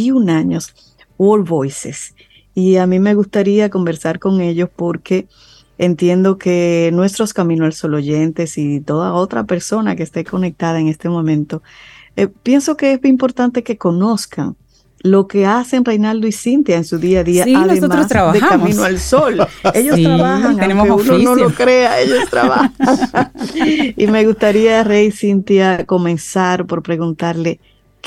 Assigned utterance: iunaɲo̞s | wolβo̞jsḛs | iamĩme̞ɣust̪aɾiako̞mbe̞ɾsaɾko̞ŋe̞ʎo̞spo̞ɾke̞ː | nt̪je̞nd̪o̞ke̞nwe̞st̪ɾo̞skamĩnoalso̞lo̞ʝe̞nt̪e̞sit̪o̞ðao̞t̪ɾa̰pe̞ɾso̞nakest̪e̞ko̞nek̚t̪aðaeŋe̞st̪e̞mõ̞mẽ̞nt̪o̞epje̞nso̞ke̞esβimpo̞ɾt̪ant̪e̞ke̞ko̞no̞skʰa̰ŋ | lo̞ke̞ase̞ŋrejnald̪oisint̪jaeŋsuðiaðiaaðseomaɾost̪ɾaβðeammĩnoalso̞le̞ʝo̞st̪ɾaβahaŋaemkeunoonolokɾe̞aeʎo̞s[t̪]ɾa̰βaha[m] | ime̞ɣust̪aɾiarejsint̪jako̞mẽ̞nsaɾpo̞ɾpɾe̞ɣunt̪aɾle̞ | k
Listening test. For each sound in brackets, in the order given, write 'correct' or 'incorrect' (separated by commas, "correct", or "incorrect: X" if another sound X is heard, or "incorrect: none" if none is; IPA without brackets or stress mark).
correct, incorrect: ŋ